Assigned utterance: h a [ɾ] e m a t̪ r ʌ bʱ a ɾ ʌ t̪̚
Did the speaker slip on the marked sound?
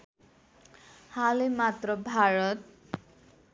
yes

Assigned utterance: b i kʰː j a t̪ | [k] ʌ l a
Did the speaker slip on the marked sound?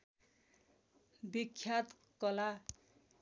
no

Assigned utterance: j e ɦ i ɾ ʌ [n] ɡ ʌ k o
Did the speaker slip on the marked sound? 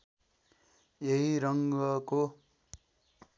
yes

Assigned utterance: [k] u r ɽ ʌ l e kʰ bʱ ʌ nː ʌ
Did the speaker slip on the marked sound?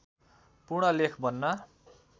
yes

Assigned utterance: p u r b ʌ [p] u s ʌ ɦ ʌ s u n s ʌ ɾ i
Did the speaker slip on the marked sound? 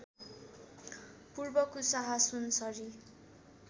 yes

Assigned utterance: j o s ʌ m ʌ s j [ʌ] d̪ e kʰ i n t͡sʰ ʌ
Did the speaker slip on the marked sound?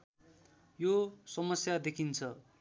yes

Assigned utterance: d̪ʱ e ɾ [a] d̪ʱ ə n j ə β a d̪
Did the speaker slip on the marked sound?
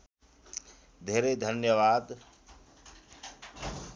yes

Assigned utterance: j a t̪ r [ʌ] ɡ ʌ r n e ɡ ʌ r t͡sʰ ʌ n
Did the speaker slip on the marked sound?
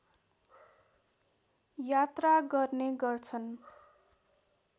yes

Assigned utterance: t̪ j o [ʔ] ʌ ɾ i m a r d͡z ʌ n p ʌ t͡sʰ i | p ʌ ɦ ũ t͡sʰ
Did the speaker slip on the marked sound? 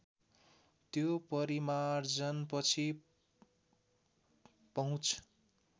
yes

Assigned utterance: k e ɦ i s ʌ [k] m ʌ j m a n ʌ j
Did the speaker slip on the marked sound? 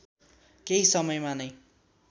yes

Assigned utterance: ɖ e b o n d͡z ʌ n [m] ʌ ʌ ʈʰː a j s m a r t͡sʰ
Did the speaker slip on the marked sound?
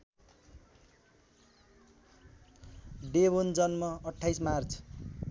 no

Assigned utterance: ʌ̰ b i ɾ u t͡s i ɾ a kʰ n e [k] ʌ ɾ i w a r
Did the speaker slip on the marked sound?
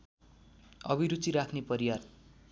yes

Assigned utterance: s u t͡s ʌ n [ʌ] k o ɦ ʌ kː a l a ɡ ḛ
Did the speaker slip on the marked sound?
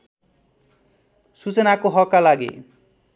yes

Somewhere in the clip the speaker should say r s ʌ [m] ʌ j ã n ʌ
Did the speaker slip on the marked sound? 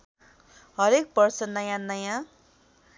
yes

